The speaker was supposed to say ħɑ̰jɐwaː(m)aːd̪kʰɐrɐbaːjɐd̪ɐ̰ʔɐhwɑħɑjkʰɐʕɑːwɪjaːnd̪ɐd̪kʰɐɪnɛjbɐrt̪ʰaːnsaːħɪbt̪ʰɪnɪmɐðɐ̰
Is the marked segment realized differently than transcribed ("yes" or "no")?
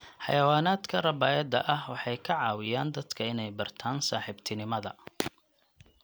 yes